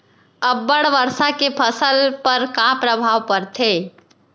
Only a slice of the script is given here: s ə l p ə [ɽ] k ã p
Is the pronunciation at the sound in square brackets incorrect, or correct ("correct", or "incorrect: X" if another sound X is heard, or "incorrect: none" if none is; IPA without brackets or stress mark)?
incorrect: ɾ